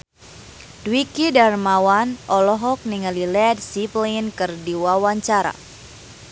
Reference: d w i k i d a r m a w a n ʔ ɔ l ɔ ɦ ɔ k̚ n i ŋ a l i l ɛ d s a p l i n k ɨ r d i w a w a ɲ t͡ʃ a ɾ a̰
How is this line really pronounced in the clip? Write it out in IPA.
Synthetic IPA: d w i k i d a r m a w a n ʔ ɔ l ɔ ɦ ɔ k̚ n i ŋ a l i l ɛ d s i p l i n k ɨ r d i w a w a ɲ t͡ʃ a ɾ a̰